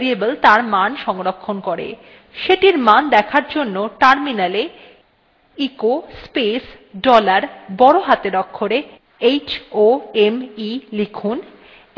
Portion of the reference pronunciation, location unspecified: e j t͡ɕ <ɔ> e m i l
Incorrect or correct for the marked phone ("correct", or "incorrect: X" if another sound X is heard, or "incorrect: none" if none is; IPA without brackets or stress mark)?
incorrect: o